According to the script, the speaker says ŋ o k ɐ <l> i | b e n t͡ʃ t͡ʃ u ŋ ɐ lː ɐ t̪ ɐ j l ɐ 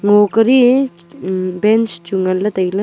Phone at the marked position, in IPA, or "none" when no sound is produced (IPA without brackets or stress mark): ɾ